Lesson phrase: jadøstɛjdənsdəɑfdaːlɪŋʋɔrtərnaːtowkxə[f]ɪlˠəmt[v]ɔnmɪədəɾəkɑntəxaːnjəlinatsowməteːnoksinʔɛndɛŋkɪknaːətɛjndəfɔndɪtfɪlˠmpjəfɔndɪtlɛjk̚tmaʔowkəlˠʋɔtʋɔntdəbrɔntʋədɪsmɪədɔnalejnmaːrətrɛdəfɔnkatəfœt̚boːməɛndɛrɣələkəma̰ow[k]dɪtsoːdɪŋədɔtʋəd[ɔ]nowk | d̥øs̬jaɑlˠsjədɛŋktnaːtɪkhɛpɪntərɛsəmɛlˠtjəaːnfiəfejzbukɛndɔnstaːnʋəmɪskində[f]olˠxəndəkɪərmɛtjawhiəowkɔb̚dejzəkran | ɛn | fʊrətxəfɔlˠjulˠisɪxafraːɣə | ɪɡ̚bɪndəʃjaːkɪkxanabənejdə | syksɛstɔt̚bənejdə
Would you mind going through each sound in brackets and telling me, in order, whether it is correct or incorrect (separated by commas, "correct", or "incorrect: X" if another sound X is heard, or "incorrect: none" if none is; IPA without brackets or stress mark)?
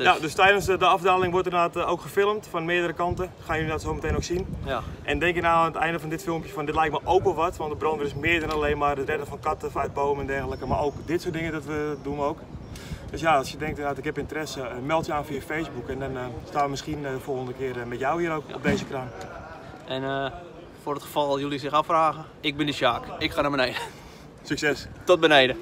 correct, incorrect: f, correct, incorrect: u, correct